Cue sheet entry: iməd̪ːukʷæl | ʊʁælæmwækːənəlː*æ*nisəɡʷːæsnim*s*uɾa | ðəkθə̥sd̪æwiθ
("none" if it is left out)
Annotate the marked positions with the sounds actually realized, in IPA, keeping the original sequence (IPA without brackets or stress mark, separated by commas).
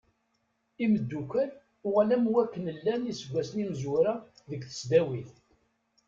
æ, z